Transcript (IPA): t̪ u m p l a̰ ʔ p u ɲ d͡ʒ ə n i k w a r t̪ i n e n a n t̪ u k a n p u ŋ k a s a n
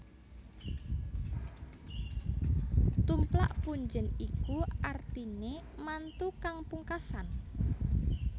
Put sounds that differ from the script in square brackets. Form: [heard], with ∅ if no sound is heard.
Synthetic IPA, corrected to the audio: t̪ u m p l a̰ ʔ p u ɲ d͡ʒ ə n i k [u] a r t̪ i n e [m] a n t̪ u k a [ŋ] p u ŋ k a s a n